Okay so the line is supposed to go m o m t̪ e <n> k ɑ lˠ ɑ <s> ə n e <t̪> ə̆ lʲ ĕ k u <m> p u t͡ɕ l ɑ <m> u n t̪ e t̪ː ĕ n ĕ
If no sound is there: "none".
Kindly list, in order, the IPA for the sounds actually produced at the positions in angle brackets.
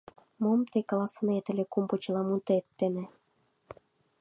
none, s, t̪, m, m

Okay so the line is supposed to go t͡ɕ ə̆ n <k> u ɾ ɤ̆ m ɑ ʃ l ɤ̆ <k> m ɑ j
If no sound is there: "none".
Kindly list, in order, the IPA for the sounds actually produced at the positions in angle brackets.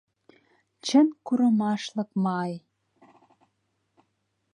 k, k

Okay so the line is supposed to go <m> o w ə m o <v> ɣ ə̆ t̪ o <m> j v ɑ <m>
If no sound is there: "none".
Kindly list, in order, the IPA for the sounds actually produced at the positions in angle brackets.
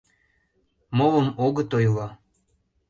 m, none, none, none

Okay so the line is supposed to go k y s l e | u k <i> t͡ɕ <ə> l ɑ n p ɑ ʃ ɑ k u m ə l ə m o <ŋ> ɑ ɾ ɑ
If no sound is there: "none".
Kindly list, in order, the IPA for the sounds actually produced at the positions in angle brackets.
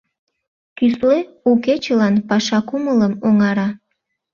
e, ə, ŋ

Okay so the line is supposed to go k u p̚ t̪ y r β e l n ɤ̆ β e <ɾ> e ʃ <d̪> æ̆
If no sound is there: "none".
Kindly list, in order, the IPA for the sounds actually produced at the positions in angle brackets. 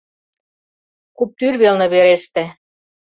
ɾ, t̪

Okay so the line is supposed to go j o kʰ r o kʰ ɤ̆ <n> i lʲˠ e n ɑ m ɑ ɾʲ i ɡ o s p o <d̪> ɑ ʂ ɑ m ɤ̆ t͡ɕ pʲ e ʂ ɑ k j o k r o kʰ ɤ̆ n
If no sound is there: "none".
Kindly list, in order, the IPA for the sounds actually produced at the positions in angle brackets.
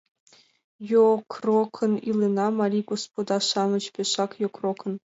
n, d̪

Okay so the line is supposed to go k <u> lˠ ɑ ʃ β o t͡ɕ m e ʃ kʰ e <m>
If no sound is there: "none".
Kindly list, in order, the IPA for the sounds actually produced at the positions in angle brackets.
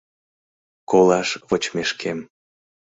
o, m

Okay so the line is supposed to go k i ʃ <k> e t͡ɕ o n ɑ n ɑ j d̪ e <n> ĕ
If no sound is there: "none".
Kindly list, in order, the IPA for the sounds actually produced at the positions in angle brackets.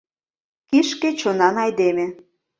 k, m

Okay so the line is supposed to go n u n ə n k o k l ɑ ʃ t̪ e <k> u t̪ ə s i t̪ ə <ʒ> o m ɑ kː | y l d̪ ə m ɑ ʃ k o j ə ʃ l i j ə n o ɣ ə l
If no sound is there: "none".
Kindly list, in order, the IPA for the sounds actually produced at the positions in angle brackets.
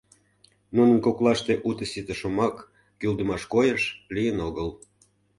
ʔ, ʃ

